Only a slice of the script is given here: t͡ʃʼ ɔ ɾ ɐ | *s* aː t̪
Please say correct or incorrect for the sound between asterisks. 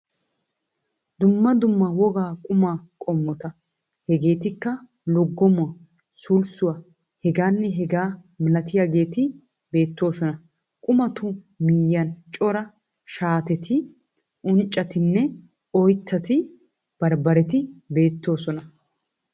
incorrect